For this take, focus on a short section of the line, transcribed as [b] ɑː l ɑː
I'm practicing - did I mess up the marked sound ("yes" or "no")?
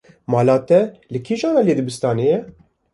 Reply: yes